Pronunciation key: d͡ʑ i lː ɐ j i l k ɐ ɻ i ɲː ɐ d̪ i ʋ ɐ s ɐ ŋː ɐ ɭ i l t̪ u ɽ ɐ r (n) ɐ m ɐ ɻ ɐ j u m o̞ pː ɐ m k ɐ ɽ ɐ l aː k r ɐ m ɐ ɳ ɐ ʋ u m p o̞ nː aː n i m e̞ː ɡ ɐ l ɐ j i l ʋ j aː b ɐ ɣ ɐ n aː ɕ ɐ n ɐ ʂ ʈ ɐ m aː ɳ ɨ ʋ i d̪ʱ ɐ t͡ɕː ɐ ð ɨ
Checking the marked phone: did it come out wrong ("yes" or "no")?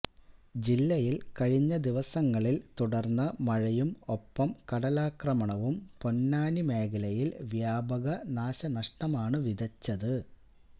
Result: yes